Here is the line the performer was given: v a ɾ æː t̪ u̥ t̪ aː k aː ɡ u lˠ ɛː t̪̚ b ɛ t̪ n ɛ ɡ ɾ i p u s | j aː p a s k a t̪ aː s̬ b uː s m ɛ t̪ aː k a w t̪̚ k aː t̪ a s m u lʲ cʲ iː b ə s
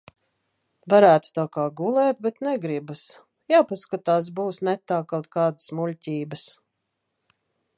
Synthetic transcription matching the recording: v a ɾ æː t̪ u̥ t̪ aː k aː ɡ u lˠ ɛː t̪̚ b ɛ t̪ n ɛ ɡ ɾ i b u s | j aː p a s k a t̪ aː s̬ b uː s n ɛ t̪ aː k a w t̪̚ k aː d̪ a s m u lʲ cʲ iː b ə s